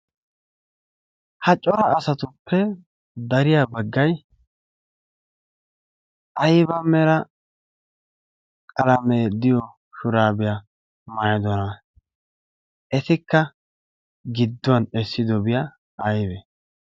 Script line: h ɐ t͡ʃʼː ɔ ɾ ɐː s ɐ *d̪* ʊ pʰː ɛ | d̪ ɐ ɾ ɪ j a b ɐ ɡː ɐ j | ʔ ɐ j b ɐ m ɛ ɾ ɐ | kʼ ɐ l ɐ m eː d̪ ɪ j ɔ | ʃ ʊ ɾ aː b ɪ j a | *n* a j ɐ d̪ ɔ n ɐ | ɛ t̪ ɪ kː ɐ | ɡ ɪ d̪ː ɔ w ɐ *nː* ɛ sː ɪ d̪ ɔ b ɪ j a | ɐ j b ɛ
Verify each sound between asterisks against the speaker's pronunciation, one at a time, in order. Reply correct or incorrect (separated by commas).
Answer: incorrect, incorrect, incorrect